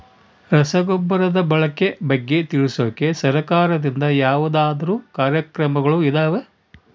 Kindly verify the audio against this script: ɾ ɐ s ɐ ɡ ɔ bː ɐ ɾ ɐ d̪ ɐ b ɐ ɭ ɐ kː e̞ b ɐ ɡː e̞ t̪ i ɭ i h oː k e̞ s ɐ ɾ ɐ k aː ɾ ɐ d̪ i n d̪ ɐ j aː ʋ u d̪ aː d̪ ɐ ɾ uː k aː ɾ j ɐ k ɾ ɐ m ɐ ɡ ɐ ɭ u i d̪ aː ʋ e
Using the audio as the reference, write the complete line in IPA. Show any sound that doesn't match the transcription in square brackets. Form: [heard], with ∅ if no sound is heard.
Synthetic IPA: ɾ ɐ s ɐ ɡ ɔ bː ɐ ɾ ɐ d̪ ɐ b ɐ ɭ ɐ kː e̞ b ɐ ɡː e̞ t̪ i ɭ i [s] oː k e̞ s ɐ ɾ ɐ k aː ɾ ɐ d̪ i n d̪ ɐ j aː ʋ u d̪ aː d̪ ɐ ɾ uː k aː ɾ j ɐ k ɾ ɐ m ɐ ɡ ɐ ɭ u i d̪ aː ʋ e